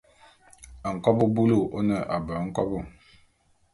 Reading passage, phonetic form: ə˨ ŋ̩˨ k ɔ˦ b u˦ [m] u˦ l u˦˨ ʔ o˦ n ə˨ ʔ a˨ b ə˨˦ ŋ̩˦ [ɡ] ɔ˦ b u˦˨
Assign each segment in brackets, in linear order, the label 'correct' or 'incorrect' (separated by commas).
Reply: incorrect, incorrect